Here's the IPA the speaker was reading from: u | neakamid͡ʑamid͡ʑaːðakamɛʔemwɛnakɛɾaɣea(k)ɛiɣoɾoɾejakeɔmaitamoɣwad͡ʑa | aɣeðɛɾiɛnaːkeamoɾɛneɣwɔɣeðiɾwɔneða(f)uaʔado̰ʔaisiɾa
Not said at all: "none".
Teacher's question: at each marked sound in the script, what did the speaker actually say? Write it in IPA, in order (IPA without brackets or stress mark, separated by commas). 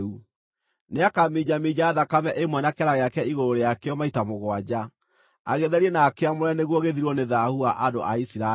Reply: k, h